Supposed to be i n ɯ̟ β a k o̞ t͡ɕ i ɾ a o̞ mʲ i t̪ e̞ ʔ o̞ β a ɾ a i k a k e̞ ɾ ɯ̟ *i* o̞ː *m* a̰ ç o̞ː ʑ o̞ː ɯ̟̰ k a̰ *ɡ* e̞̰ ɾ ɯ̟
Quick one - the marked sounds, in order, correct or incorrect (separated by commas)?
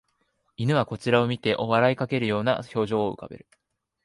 incorrect, incorrect, incorrect